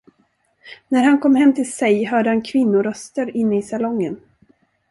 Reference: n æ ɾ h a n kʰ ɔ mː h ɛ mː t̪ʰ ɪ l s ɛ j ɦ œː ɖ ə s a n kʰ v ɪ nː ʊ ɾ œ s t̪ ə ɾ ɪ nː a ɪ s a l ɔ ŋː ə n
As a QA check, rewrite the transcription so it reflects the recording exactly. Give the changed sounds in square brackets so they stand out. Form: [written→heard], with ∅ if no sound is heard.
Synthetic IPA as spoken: n æ ɾ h a n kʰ ɔ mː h ɛ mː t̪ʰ ɪ l s ɛ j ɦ œː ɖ ə [s→h] a n kʰ v ɪ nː ʊ ɾ œ s t̪ ə ɾ ɪ nː [a→ə] ɪ s a l ɔ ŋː ə n